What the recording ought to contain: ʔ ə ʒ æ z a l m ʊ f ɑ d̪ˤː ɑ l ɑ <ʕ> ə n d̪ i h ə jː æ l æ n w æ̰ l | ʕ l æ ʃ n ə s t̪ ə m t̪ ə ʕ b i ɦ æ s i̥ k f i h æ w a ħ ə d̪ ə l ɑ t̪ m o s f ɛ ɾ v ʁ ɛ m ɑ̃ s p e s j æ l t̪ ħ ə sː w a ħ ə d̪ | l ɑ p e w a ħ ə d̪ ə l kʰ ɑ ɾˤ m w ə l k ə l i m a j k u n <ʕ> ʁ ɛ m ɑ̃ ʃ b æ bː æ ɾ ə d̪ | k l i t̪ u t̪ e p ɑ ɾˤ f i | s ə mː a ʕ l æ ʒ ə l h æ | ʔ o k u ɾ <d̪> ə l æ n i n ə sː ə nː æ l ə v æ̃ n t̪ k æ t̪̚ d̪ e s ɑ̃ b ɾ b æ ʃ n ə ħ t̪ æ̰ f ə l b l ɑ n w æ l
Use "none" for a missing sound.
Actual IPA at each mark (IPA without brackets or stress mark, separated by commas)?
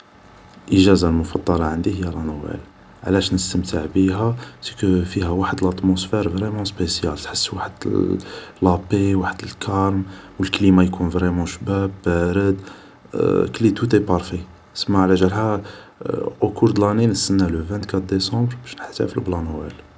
ʕ, v, d̪